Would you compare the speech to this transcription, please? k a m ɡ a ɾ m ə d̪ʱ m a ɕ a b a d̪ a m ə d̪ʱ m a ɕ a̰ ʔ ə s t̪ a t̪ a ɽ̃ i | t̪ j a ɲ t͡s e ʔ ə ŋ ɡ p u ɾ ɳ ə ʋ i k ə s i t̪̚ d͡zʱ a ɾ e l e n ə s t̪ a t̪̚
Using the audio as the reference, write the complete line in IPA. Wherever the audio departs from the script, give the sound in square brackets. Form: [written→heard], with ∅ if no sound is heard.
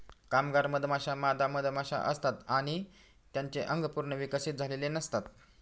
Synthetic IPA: k a m ɡ a ɾ m ə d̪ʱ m a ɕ a [b→m] a d̪ a m ə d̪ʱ m a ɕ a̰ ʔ ə s t̪ a t̪ a ɽ̃ i | t̪ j a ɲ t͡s e ʔ ə ŋ ɡ p u ɾ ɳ ə ʋ i k ə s i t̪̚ d͡zʱ a [ɾ→l] e l e n ə s t̪ a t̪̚